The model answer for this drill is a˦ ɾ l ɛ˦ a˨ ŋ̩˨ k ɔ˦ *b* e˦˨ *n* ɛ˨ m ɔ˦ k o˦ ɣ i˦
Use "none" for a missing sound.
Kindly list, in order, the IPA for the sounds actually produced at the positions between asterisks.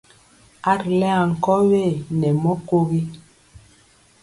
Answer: w, n

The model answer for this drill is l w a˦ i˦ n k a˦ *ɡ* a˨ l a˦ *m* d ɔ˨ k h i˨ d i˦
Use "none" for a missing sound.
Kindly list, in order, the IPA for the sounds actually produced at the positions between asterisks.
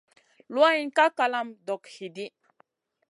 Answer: k, m

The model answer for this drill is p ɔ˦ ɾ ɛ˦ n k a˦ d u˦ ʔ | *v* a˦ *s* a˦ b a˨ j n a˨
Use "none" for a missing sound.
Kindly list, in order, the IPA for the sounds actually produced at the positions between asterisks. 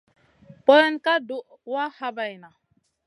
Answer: w, h

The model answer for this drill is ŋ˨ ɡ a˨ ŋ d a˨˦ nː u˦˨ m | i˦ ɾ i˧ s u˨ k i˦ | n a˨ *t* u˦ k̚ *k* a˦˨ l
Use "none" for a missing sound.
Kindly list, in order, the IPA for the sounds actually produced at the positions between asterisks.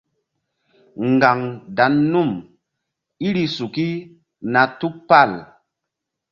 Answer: t, p

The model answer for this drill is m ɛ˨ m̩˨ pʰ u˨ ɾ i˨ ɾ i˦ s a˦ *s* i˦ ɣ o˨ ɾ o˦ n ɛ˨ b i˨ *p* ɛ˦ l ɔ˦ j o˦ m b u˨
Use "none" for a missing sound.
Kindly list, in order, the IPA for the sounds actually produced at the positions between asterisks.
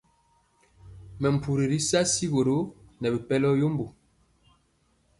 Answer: s, p

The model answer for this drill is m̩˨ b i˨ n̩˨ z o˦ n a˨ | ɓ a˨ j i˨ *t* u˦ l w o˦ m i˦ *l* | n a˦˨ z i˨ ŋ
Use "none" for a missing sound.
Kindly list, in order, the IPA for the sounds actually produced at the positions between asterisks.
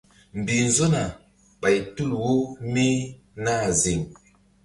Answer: t, none

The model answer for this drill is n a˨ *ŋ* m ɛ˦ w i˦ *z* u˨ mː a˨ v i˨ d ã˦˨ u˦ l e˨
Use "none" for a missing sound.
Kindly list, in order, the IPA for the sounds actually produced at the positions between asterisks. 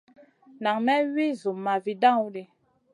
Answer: ŋ, z

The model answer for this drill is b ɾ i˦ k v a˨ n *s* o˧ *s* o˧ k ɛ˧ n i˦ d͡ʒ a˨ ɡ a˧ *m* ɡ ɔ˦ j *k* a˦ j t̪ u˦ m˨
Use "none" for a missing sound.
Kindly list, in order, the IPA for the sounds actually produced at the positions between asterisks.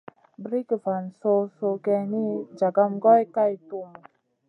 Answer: s, s, m, k

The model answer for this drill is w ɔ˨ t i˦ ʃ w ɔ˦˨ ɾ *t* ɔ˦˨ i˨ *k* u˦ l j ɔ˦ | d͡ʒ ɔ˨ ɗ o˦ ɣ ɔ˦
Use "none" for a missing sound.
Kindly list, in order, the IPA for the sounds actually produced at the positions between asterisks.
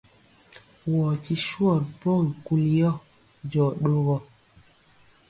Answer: p, k

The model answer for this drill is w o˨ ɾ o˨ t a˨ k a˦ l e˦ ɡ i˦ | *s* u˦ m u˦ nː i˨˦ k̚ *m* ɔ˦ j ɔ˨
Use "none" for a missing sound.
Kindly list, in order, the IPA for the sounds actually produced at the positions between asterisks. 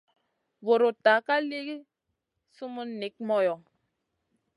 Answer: s, m

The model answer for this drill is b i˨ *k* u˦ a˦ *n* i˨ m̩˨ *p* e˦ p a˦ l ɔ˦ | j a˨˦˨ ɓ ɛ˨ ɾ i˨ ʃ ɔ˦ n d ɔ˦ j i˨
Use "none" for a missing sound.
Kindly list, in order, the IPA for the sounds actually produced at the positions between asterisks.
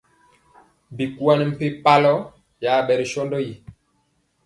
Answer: k, n, p

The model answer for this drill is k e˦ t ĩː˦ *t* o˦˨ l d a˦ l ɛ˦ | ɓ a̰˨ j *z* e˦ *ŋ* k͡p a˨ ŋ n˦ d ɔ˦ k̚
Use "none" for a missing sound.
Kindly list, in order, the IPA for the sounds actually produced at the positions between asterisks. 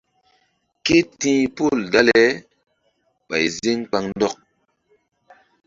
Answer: p, z, ŋ

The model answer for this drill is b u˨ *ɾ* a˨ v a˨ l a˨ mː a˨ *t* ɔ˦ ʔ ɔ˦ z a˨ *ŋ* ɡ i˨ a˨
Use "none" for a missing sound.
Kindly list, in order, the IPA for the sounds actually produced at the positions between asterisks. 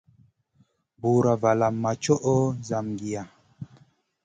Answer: ɾ, t͡ʃ, m

